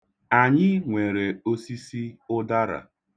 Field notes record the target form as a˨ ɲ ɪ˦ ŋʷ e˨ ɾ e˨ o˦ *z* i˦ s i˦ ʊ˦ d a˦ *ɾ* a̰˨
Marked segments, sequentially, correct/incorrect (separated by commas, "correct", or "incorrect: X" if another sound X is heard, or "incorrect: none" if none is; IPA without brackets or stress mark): incorrect: s, correct